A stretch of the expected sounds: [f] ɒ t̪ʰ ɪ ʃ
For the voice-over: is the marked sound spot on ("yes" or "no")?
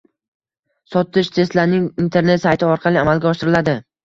no